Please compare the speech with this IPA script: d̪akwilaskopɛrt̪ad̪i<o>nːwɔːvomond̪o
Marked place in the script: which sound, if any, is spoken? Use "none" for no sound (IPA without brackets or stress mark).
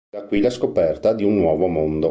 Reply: u